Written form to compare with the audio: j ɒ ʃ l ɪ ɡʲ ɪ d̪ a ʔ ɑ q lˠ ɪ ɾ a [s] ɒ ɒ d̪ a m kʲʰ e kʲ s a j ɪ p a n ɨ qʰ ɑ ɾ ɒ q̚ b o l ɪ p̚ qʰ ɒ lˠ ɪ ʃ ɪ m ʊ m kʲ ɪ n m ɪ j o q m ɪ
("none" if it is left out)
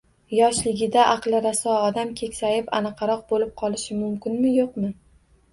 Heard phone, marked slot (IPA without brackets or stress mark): s